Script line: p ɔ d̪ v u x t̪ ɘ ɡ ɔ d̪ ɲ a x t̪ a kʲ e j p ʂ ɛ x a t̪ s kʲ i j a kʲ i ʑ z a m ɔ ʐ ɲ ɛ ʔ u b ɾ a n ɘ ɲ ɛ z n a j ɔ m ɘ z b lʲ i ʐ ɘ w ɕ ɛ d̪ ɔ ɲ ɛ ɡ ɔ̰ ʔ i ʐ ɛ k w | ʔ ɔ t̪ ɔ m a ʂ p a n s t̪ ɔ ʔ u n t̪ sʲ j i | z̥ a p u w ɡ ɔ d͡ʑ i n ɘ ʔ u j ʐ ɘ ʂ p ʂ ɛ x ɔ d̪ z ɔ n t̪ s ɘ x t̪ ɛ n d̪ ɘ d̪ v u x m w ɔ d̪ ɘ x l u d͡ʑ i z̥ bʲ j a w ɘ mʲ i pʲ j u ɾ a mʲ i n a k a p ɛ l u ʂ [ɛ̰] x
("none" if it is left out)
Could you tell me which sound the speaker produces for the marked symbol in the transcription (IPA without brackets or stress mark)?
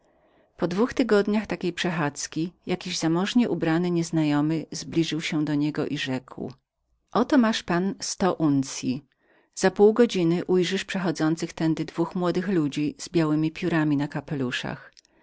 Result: a̰